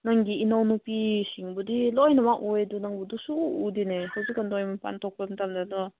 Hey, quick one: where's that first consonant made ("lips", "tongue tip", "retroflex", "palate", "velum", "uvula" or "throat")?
tongue tip